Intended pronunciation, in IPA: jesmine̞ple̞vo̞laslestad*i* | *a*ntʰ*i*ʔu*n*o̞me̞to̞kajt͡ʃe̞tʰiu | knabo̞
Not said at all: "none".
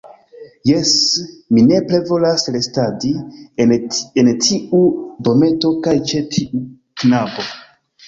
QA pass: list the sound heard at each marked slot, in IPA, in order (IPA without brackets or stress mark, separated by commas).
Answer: i, e, i, d